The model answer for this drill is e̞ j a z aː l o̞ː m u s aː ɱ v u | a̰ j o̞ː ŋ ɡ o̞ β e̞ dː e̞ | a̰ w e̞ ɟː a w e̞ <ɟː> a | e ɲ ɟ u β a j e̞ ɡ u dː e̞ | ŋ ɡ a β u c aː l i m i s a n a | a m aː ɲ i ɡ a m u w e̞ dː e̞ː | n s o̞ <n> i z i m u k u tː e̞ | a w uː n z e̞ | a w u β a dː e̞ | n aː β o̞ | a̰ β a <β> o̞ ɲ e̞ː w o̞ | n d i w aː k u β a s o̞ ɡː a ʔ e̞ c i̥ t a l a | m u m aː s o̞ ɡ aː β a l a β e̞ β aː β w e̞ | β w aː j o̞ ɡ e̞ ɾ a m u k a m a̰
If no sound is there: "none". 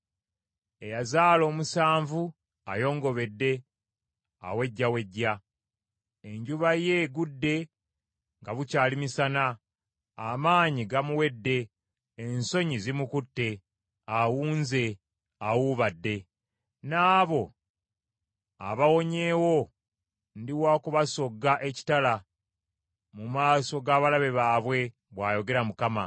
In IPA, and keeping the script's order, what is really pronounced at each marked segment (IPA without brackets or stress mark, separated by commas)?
ɟː, ɲ, w